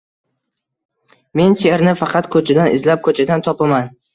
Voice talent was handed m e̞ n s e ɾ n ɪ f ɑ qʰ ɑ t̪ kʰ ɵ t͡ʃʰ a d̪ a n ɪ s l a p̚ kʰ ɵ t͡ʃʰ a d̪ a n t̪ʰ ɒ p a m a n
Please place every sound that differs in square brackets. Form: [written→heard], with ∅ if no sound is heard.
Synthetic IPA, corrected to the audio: m e̞ n s e ɾ n ɪ f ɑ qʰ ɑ t̪ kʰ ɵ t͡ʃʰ a d̪ a n ɪ [s→z] l a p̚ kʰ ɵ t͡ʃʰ a d̪ a n t̪ʰ ɒ p a m a n